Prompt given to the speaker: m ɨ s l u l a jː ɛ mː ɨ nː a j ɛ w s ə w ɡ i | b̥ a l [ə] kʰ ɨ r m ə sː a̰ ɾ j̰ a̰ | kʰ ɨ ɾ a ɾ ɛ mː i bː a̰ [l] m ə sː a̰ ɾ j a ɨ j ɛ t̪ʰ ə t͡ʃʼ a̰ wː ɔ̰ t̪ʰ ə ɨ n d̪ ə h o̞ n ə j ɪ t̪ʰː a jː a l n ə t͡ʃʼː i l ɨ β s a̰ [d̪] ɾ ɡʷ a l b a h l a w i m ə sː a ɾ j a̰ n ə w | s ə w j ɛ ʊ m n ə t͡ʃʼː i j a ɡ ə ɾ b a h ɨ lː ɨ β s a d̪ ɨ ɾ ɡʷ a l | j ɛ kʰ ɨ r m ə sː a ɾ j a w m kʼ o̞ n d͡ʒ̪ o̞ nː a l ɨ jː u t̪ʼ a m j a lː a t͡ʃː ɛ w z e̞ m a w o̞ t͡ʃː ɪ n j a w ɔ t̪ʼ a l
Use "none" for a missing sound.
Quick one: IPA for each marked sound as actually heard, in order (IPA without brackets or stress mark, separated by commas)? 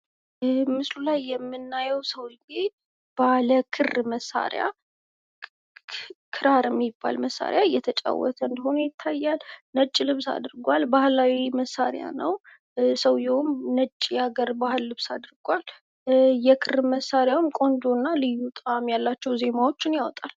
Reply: ə, l, d̪